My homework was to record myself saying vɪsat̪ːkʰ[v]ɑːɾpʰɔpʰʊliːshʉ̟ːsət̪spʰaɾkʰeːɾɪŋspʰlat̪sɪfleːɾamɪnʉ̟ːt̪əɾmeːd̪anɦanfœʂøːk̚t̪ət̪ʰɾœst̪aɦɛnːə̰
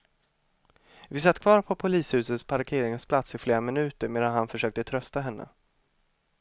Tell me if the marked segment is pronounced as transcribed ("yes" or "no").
yes